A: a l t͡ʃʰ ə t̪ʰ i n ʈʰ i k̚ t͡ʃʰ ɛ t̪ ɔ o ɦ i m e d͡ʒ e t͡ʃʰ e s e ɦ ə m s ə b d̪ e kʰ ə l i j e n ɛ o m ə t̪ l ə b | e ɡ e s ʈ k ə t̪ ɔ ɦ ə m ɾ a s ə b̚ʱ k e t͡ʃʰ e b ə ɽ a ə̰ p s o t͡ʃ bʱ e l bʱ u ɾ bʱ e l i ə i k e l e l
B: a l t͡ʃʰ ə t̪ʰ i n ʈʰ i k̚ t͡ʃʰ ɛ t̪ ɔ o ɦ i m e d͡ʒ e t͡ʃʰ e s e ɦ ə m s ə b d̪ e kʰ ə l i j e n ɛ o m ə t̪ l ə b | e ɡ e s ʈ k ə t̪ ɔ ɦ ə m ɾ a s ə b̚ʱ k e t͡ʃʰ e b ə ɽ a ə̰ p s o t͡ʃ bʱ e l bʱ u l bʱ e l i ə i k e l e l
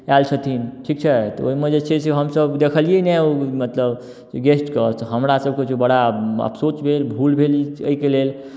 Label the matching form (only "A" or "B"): B